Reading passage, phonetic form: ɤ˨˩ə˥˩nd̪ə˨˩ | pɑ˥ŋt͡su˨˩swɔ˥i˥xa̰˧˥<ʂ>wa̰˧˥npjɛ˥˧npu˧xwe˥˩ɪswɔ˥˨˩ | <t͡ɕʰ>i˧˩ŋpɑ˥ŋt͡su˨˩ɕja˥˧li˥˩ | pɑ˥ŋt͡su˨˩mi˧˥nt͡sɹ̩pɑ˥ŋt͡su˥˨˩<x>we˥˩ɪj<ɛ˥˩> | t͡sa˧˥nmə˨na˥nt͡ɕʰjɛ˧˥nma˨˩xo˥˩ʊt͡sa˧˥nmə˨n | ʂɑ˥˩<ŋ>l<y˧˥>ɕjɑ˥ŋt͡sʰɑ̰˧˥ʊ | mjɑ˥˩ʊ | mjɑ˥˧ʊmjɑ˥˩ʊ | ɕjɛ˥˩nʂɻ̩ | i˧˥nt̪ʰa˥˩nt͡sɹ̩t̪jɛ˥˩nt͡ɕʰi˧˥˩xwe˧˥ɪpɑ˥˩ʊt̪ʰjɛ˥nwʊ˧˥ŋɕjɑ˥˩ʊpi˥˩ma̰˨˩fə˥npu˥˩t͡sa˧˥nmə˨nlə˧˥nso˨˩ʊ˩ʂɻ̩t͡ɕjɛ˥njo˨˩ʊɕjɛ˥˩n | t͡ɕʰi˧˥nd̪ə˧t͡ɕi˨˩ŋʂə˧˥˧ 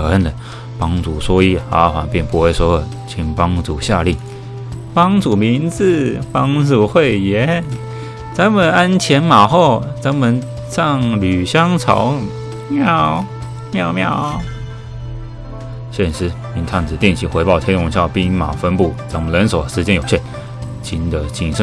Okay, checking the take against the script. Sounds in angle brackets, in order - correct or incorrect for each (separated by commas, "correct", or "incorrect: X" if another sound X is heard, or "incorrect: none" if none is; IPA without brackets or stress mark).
incorrect: x, correct, correct, incorrect: ɛ˧˥, correct, incorrect: y˨˩